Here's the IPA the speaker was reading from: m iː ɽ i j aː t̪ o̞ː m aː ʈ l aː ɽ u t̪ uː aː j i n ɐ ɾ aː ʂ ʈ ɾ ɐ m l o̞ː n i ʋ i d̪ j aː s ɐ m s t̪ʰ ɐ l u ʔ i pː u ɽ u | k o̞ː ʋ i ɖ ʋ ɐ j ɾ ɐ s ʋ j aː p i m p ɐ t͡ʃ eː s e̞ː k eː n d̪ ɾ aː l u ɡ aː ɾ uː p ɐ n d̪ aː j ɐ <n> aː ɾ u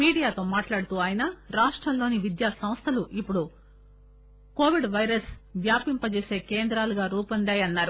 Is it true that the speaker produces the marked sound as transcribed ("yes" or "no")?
no